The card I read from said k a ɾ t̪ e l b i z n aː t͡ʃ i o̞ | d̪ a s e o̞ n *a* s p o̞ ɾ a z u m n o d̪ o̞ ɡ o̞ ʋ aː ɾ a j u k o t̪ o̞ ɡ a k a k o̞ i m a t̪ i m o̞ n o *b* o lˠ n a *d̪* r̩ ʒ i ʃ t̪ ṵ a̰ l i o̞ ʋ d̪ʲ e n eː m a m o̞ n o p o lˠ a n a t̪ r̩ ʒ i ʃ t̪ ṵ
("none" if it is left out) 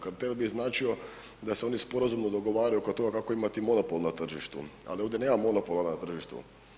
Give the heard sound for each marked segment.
i, p, t̪

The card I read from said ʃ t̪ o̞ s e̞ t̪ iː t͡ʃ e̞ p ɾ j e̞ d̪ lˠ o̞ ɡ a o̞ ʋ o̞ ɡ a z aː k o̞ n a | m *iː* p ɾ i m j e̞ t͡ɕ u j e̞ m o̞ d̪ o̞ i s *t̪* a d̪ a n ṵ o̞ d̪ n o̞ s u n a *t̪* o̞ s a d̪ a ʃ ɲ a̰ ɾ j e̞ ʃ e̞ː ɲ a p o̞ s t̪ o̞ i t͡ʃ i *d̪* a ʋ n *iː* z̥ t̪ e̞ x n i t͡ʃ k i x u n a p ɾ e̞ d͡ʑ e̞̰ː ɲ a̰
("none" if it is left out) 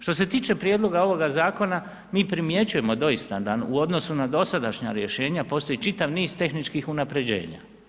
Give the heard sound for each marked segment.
iː, t̪, d̪, t̪, iː

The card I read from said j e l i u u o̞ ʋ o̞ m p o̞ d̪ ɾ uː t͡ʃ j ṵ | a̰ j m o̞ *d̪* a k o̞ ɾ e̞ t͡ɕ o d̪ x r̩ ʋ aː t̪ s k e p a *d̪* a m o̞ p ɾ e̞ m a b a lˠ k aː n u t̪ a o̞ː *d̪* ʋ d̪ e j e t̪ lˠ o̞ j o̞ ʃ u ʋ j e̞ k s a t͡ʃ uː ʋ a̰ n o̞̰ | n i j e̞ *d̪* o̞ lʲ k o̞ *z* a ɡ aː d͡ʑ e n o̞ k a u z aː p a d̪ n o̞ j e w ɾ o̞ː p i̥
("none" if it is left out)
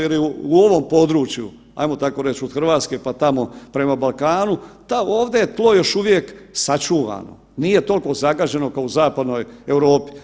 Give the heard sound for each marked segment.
t̪, t̪, none, t̪, z

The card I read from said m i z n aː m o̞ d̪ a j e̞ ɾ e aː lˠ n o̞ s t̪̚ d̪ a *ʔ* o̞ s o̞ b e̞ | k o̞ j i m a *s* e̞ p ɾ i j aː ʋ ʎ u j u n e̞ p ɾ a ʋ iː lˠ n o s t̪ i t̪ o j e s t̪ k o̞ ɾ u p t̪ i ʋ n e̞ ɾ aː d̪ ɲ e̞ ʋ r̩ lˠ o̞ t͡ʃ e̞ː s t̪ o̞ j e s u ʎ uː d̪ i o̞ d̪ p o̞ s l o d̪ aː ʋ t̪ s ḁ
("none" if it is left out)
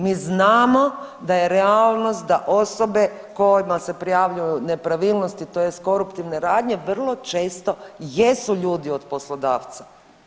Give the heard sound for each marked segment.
ʔ, s

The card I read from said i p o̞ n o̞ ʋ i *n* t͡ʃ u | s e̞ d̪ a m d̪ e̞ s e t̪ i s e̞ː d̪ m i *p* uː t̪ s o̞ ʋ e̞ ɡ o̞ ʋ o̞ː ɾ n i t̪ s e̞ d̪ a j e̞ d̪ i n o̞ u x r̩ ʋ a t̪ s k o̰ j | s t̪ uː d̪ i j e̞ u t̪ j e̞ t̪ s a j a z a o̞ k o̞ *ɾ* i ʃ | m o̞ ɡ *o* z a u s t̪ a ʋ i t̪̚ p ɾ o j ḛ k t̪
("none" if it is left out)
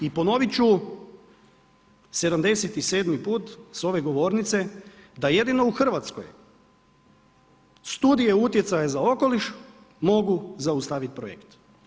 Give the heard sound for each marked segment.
none, p, l, u

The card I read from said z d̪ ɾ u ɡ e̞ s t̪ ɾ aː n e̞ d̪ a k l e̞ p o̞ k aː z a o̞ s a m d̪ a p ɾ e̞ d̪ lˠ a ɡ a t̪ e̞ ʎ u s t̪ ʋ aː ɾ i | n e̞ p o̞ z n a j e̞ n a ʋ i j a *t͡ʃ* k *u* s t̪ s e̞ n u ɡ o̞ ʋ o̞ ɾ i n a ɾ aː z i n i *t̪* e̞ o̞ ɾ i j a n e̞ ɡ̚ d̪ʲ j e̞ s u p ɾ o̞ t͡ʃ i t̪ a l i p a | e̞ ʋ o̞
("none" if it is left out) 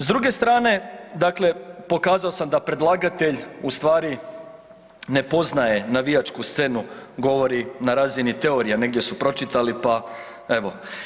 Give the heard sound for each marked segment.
t͡ʃ, u, t̪

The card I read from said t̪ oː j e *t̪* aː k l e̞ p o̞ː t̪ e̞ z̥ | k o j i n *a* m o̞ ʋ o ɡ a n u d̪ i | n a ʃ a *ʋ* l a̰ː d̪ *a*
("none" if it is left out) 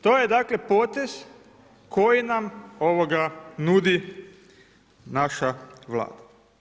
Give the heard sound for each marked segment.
d̪, a, ʋ, a

